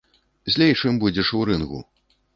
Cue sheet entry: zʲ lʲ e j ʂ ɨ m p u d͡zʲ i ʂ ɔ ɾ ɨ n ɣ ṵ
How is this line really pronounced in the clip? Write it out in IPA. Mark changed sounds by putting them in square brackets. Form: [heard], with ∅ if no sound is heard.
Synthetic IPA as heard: zʲ lʲ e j [t͡ʂ] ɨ m [b] u d͡zʲ [ɛ] ʂ [u] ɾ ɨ n ɣ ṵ

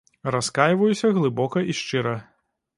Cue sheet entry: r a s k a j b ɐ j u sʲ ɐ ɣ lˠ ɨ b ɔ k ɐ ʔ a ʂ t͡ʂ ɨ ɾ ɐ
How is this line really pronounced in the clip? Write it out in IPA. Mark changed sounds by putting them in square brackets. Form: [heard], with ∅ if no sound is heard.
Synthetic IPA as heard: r a s k a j [v] ɐ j u sʲ ɐ ɣ lˠ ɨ b ɔ k ɐ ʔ [i] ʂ t͡ʂ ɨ ɾ ɐ

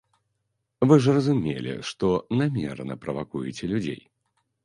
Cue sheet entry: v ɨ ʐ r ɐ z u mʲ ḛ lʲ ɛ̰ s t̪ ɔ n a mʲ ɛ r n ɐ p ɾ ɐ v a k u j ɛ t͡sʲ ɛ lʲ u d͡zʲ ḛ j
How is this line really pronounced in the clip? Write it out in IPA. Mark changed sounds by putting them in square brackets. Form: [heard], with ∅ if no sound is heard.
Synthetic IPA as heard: v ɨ ʐ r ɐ z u mʲ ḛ lʲ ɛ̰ [ʂ] t̪ ɔ n a mʲ ɛ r n ɐ p ɾ ɐ v a k u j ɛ t͡sʲ ɛ lʲ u d͡zʲ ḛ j

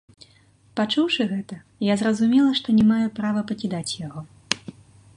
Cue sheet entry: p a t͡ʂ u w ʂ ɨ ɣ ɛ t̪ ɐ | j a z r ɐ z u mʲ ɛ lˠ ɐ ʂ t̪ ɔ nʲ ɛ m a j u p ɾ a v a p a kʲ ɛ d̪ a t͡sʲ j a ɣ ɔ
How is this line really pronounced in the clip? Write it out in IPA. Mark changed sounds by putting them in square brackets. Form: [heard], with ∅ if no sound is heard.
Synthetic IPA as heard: p a t͡ʂ u w ʂ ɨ ɣ ɛ t̪ ɐ | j a z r ɐ z u mʲ ɛ lˠ ɐ ʂ t̪ ɔ nʲ ɛ m a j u p ɾ a v [ɐ] p [ɐ] kʲ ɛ d̪ a t͡sʲ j a ɣ ɔ

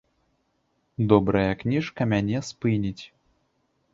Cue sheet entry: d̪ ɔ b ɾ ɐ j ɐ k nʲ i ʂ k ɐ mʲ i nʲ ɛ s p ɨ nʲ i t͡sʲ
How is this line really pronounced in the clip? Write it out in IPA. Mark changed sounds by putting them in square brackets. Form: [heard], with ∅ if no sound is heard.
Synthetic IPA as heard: d̪ ɔ b ɾ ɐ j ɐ k nʲ i ʂ k ɐ mʲ [a] nʲ ɛ s p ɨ nʲ i t͡sʲ

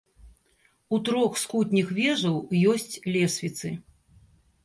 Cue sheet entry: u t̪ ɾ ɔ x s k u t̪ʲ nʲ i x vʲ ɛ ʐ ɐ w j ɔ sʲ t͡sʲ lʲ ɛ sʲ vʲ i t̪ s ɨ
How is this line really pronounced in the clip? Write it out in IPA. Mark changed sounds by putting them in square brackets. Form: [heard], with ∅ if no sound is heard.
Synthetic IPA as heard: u t̪ ɾ ɔ x s k u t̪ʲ nʲ i x vʲ ɛ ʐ ɐ w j ɔ sʲ t͡sʲ lʲ ɛ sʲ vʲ i t̪ s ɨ

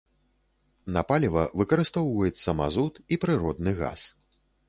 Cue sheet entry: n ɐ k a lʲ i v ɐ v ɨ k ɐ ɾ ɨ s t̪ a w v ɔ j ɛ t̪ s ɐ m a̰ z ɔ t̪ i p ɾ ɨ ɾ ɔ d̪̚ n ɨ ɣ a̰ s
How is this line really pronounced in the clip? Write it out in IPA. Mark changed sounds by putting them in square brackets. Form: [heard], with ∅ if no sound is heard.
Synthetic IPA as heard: n ɐ [p] a lʲ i v ɐ v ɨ k ɐ ɾ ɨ s t̪ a w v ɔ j ɛ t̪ s ɐ m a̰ z [u] t̪ i p ɾ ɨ ɾ ɔ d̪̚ n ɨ ɣ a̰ s

